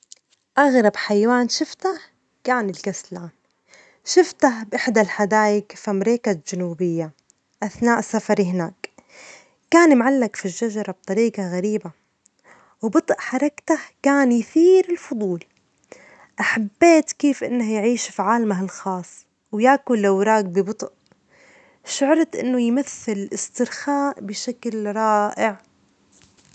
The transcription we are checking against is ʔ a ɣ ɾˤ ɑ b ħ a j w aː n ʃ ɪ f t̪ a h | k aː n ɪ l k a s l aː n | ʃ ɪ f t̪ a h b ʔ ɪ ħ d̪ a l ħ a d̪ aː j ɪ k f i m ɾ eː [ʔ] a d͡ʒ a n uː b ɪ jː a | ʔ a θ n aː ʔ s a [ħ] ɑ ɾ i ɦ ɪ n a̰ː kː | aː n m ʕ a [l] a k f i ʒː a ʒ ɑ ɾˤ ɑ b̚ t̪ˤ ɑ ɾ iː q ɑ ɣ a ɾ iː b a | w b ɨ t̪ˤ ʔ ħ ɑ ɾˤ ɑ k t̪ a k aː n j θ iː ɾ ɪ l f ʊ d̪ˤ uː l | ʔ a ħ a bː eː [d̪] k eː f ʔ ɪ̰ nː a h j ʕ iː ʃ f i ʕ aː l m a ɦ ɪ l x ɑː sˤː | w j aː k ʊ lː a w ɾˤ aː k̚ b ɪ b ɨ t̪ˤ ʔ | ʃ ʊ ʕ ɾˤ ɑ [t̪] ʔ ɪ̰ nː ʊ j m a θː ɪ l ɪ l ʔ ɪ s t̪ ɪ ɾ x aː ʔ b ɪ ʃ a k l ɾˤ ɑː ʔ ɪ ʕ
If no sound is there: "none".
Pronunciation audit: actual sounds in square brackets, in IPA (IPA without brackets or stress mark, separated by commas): k, f, lː, t̪, t̪